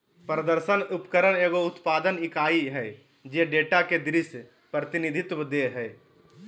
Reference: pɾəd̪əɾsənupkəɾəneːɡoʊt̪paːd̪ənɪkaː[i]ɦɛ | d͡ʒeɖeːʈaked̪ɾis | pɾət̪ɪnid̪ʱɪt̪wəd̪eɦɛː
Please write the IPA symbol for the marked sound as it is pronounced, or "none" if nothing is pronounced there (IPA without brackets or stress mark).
i